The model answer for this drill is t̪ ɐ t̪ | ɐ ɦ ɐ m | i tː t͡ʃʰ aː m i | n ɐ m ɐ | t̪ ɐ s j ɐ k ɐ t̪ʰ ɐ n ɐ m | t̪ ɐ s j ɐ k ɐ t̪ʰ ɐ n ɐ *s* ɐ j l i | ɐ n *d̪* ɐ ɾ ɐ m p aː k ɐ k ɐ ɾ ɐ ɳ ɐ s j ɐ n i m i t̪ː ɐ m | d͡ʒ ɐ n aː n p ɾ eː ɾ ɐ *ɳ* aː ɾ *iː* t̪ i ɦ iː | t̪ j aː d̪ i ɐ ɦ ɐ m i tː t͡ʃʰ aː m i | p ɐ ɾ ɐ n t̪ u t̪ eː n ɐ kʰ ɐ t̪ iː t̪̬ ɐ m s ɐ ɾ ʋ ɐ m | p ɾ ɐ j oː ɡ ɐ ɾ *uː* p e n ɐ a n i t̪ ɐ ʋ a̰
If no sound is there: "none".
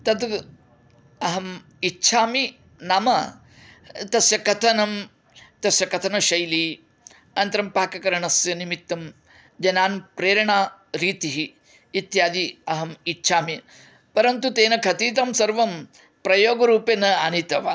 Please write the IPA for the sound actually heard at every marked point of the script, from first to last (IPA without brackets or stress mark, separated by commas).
ʃ, t̪, ɳ, iː, uː